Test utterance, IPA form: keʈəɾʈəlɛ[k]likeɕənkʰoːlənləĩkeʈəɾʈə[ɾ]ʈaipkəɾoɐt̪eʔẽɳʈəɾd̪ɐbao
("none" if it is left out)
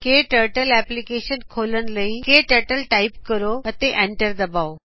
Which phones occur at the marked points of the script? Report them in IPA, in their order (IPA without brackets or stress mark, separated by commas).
p, l